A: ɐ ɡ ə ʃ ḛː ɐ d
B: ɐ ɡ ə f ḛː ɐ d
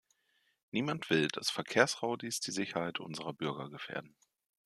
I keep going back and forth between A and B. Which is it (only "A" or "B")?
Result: B